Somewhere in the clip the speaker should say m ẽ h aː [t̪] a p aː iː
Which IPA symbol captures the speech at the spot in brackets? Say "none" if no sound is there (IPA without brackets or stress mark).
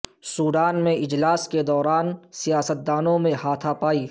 t̪ʰ